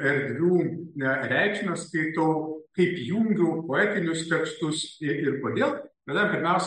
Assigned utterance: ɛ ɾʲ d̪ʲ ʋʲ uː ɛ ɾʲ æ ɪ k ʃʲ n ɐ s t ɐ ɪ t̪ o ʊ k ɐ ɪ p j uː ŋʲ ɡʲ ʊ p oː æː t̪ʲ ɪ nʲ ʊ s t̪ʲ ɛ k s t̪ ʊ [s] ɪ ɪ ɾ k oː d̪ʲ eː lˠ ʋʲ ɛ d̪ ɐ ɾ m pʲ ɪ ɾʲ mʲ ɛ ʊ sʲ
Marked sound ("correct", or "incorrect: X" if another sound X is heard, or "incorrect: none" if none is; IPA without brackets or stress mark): correct